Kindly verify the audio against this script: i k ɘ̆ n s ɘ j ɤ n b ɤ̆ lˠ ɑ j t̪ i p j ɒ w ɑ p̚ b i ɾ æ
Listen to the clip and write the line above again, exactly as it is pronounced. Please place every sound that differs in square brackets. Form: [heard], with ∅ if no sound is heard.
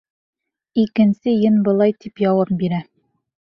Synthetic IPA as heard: i k ɘ̆ n s ɘ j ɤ n b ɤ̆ lˠ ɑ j t̪ i p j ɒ w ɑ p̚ b i ɾ æ

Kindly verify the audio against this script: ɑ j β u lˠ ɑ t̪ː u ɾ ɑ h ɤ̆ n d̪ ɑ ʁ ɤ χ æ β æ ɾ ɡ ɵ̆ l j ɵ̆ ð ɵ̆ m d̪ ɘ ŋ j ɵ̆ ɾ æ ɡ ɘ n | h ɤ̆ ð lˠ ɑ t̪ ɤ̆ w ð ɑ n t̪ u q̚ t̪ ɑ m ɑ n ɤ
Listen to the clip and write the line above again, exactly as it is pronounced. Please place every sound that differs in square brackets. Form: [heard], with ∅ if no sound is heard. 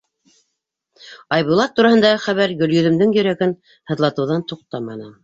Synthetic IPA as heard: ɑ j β u lˠ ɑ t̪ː u ɾ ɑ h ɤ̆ n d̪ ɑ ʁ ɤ χ æ β æ ɾ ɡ ɵ̆ l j ɵ̆ ð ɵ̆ m d̪ ɘ ŋ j ɵ̆ ɾ æ ɡ ɘ n | h ɤ̆ ð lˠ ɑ t̪ ɤ̆ w ð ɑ n t̪ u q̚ t̪ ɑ m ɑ n ɤ

